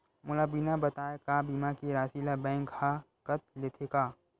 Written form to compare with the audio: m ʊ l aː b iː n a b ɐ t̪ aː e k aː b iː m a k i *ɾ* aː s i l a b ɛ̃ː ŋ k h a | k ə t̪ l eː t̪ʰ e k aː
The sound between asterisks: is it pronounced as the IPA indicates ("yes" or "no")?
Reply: yes